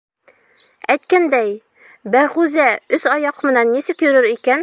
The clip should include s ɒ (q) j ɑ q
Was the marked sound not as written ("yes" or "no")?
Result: yes